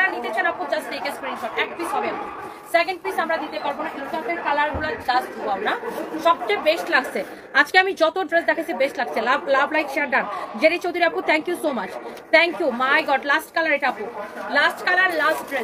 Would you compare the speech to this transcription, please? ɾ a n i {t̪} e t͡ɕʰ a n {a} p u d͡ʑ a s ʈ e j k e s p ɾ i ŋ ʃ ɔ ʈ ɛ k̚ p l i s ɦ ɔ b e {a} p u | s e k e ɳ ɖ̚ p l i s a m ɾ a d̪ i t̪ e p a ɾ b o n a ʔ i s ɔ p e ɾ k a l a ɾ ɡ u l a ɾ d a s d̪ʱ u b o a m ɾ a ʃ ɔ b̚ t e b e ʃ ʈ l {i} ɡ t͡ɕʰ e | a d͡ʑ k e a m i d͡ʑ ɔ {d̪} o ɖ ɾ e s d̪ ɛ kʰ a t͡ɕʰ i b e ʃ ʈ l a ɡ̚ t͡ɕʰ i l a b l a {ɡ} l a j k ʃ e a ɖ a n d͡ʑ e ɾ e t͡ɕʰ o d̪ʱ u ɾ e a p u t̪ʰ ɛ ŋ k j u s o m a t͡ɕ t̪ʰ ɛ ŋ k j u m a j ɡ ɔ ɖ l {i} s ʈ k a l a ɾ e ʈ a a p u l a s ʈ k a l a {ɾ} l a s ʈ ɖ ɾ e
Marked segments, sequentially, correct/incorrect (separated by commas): correct, correct, correct, incorrect, incorrect, incorrect, incorrect, correct